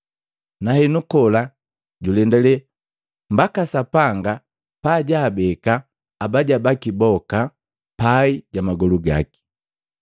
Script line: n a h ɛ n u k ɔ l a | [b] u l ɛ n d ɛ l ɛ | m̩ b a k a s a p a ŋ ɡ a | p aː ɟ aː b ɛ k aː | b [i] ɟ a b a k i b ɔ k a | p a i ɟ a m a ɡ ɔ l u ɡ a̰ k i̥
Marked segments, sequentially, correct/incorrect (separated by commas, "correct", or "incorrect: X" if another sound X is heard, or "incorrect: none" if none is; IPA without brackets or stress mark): incorrect: ɟ, incorrect: a